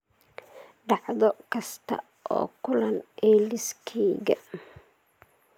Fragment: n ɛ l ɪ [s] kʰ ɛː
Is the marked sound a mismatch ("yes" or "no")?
no